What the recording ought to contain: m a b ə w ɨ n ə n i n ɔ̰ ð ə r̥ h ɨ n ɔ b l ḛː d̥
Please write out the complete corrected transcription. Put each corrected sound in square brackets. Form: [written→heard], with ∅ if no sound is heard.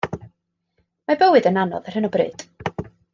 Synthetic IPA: m a b ə w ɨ [n→d] ə n [i→a] n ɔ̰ ð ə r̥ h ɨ n ɔ b [l→r] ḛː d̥